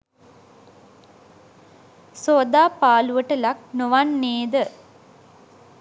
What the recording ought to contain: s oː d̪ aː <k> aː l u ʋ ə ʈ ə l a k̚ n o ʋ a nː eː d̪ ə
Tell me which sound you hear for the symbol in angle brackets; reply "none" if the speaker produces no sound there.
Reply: p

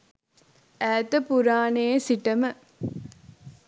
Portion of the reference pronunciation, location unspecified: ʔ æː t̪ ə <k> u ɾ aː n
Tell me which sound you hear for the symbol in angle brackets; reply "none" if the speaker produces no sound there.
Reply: p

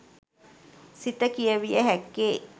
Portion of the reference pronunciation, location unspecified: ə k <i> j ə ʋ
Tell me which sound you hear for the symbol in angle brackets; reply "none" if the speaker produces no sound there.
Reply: i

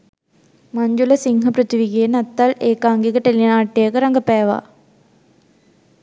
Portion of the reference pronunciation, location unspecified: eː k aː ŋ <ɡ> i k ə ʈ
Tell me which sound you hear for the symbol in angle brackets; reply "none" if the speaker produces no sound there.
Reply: ɡ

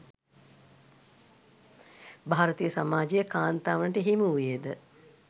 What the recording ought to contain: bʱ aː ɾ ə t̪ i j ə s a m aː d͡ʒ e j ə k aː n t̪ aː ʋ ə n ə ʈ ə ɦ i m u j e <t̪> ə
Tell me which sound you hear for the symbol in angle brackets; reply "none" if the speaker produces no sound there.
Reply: d̪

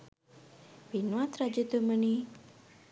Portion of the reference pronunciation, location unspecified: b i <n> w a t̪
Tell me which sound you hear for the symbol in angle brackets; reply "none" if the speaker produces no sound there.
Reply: n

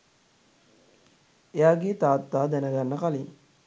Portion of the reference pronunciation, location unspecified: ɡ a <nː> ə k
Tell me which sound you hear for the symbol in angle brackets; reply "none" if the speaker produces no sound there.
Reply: nː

